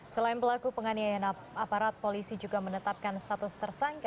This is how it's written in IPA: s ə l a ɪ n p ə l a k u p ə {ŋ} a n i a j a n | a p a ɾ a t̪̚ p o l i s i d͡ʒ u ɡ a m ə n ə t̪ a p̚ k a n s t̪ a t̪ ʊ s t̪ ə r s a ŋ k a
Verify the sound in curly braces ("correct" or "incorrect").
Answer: correct